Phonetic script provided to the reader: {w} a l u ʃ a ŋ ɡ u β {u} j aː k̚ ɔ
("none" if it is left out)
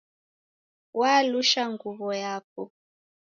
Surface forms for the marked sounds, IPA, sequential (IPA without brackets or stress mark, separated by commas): w, ɔ